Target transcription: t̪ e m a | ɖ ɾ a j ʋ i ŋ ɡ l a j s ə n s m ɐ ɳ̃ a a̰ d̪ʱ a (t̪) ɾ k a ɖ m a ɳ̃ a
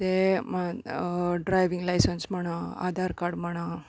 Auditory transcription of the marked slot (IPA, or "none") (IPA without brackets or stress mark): none